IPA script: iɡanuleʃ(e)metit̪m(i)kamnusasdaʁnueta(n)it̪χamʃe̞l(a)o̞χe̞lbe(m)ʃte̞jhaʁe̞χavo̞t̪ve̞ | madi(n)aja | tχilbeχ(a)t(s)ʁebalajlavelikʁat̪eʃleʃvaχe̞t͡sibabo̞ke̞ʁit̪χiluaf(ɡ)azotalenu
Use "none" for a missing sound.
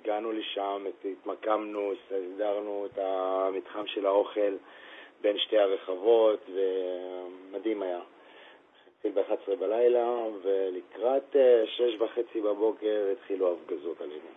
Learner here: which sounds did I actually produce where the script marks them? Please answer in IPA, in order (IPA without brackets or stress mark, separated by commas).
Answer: a, a, m, a, n, m, a, s, ɡ